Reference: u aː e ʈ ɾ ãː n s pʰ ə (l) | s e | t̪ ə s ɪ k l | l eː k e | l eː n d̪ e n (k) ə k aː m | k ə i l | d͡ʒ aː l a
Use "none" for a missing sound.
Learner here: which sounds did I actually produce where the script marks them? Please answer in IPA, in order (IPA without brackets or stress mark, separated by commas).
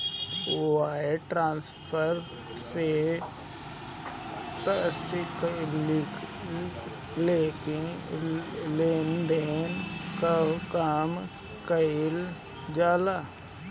ɾ, k